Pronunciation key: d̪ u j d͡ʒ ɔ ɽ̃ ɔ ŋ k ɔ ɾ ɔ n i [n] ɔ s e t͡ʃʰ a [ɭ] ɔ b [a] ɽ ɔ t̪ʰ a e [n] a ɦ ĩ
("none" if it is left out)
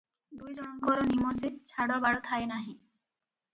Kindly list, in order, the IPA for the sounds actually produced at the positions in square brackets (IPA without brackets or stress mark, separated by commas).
m, ɽ, a, n